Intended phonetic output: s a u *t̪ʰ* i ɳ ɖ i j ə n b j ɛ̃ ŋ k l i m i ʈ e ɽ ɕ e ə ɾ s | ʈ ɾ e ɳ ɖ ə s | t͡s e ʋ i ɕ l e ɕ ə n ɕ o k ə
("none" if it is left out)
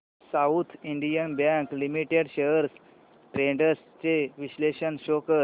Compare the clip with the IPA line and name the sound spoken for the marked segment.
t̪ʰ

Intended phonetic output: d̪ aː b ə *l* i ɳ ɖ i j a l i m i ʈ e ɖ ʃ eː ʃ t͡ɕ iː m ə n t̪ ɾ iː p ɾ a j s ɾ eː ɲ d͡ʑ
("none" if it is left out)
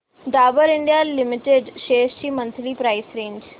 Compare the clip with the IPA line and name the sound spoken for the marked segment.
ɾ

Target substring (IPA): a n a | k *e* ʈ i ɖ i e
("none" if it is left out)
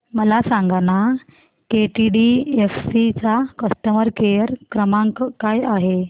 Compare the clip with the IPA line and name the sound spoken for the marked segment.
e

